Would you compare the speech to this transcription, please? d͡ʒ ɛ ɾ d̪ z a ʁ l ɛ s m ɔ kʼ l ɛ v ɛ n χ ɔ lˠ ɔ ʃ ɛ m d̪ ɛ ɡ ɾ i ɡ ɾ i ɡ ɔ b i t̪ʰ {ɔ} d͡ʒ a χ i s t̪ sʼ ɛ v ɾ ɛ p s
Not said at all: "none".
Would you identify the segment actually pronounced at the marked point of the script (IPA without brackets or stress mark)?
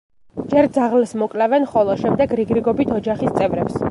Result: ɔ